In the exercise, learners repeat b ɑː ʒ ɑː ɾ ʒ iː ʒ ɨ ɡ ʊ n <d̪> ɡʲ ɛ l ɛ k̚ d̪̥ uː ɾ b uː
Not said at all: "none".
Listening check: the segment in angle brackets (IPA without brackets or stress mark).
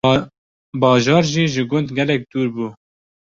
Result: d̪